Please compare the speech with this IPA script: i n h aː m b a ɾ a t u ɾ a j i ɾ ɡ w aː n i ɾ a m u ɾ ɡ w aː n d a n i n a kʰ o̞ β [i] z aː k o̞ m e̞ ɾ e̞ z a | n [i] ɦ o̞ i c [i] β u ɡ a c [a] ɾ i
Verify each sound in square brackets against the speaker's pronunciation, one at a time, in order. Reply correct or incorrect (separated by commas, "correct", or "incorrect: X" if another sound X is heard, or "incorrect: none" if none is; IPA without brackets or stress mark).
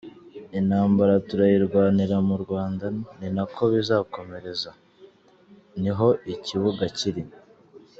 correct, correct, correct, incorrect: i